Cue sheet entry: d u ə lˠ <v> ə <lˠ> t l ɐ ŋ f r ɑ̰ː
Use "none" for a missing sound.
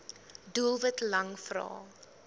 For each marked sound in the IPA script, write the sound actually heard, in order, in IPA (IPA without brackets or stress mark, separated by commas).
v, none